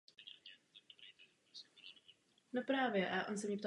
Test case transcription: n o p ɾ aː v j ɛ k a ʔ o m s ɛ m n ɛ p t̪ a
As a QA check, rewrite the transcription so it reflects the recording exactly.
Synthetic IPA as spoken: n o p ɾ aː v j ɛ ʔ a ʔ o n s ɛ m ɲ ɛ p t̪ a